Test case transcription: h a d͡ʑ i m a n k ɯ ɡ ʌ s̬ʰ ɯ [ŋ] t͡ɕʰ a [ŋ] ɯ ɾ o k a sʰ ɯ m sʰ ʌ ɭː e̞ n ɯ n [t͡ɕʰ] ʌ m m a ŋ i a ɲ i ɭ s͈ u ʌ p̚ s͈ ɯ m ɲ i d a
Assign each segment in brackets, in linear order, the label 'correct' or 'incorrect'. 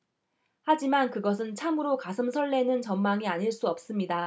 incorrect, incorrect, incorrect

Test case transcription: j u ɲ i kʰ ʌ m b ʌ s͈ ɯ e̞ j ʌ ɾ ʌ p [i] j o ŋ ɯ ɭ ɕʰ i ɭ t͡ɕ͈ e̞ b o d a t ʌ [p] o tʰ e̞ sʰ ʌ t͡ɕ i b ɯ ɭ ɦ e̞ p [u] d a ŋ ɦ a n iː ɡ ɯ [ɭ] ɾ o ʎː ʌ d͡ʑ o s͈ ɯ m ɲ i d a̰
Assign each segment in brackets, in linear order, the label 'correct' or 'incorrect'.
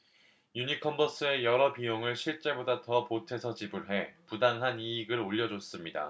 correct, correct, correct, incorrect

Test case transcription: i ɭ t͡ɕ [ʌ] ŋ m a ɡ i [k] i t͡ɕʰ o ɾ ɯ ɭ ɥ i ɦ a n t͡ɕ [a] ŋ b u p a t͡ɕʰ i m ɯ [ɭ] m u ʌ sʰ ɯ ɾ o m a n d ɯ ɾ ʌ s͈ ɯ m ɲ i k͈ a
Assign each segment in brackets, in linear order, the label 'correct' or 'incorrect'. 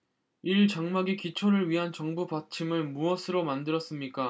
incorrect, correct, incorrect, correct

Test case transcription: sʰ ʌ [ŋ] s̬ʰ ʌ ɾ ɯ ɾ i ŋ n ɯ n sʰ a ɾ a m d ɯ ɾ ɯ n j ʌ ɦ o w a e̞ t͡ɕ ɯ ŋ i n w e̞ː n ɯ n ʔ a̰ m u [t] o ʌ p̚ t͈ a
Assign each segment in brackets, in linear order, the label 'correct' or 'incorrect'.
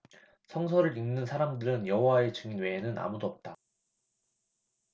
correct, incorrect

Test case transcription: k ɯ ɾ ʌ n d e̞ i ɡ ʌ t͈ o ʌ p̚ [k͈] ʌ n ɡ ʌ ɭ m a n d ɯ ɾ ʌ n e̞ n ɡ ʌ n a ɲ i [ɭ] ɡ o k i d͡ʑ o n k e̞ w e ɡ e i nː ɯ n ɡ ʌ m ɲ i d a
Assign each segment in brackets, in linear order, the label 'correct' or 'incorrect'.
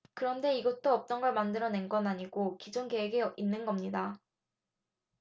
incorrect, incorrect

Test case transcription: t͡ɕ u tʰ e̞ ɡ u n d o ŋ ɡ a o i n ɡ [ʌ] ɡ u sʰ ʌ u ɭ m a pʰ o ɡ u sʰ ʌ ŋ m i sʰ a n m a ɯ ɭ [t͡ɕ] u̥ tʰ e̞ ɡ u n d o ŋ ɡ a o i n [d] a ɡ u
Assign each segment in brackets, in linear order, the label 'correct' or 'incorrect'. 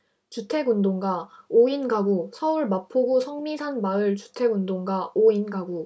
incorrect, correct, incorrect

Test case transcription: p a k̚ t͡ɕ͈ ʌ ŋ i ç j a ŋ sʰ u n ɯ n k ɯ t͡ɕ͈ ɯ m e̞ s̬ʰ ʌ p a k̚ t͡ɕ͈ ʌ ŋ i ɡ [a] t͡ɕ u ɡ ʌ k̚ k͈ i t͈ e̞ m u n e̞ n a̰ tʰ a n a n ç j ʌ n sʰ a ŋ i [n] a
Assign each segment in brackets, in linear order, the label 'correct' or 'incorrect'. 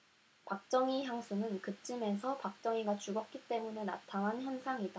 correct, incorrect

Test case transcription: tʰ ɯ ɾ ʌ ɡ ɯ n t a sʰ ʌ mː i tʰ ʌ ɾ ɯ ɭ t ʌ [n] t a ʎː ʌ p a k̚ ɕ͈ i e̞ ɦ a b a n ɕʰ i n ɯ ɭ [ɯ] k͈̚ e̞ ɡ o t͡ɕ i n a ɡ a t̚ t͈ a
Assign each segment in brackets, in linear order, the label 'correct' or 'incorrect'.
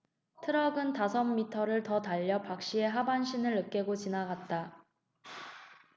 incorrect, correct

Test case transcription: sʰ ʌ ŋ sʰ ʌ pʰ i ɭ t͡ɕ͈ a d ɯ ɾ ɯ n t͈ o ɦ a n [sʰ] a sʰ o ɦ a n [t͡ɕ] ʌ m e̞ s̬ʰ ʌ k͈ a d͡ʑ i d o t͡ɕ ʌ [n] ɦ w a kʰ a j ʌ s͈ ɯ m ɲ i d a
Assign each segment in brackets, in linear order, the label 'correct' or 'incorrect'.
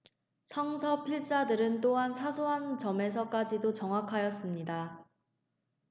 correct, correct, incorrect

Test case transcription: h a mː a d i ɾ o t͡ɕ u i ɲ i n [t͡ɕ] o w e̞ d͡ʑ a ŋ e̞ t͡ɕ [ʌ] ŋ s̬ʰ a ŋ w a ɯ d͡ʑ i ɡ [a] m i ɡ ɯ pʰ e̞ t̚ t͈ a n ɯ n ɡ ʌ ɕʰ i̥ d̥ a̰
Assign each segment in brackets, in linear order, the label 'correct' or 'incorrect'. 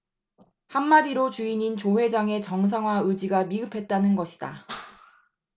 correct, correct, correct

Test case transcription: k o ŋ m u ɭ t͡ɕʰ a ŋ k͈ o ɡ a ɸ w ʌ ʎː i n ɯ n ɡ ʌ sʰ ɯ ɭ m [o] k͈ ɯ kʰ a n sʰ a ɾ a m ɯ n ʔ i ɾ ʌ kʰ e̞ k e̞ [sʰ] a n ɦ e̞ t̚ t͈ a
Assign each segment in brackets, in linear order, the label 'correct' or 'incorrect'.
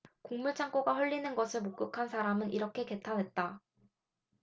correct, incorrect

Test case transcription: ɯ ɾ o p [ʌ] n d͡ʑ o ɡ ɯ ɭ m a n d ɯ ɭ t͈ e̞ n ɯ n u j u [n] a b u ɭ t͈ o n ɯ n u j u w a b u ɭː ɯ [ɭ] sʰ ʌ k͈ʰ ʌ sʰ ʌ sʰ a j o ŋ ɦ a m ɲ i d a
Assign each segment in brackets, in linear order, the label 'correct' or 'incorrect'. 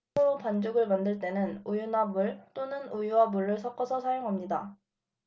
incorrect, correct, correct

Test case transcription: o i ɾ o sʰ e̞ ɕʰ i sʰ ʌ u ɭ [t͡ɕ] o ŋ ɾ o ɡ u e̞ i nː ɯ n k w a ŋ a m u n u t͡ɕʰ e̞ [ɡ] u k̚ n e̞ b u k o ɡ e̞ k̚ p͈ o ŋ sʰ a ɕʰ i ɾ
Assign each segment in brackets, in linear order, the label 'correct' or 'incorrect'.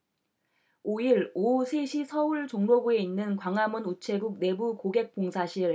correct, correct

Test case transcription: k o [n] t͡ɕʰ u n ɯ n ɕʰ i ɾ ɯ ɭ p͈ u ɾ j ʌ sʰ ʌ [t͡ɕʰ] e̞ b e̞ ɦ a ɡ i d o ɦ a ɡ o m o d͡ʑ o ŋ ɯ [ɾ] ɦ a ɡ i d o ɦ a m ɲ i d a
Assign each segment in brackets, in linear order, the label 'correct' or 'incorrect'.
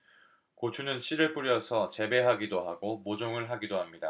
incorrect, incorrect, incorrect

